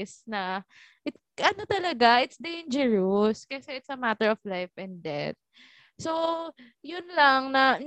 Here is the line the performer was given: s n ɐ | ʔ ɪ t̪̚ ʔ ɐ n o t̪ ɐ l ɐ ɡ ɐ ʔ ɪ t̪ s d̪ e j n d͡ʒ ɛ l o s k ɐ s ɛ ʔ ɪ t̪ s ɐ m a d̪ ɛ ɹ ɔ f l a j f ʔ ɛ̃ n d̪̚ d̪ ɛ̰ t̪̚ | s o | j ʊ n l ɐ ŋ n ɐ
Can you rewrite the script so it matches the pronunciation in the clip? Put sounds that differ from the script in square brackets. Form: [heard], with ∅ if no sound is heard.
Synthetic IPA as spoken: s n ɐ | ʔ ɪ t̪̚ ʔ ɐ n o t̪ ɐ l ɐ ɡ [a] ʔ ɪ t̪ s d̪ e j n d͡ʒ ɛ [ɹ] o s k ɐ s ɛ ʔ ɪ t̪ s ɐ m a [t̪] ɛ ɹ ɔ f l a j f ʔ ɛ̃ n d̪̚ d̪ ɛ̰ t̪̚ | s o | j ʊ n l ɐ ŋ n ɐ